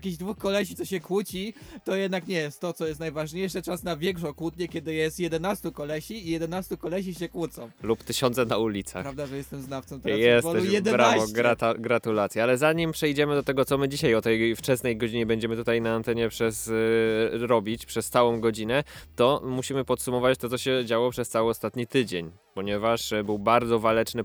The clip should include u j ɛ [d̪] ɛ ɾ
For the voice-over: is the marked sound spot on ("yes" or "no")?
yes